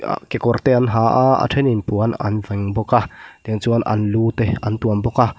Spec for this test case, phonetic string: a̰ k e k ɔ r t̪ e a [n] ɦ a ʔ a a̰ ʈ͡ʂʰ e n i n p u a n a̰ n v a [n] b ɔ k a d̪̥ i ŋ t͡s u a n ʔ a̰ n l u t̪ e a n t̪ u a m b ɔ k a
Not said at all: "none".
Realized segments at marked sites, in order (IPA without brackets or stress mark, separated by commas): n, ŋ